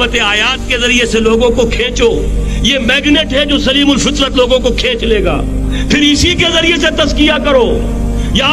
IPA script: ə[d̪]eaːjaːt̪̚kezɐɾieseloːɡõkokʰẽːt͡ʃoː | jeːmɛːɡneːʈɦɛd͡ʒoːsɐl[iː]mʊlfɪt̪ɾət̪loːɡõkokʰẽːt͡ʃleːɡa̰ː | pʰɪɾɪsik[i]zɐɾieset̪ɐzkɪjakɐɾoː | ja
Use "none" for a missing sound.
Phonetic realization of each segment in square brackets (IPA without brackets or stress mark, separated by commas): t̪, iː, e